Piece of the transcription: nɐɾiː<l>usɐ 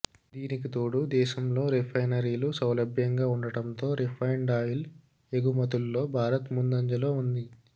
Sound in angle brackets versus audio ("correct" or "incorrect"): correct